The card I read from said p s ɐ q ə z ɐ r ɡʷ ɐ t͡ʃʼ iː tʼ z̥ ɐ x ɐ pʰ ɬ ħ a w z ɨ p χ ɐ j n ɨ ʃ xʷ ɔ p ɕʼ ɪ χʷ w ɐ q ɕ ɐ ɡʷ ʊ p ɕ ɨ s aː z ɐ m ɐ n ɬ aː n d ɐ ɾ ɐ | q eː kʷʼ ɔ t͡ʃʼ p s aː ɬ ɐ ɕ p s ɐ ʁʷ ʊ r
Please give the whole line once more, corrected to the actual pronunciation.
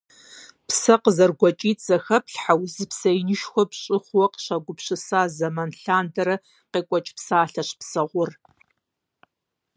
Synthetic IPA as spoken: p s ɐ q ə z ɐ r ɡʷ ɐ t͡ʃʼ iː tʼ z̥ ɐ x ɐ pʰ ɬ ħ a w z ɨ p s ɐ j n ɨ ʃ xʷ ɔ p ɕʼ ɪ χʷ w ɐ q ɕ ɐ ɡʷ ʊ p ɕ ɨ s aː z ɐ m ɐ n ɬ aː n d ɐ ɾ ɐ | q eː kʷʼ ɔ t͡ʃʼ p s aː ɬ ɐ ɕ p s ɐ ʁʷ ʊ r